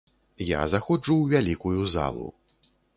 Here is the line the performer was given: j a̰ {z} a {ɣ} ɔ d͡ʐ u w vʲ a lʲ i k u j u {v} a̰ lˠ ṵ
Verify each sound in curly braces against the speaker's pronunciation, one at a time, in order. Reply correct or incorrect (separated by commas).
correct, incorrect, incorrect